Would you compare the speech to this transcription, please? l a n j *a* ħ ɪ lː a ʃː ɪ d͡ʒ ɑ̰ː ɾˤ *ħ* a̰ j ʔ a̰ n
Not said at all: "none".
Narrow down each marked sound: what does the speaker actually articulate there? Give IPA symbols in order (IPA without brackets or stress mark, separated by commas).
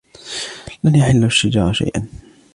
a, ʃ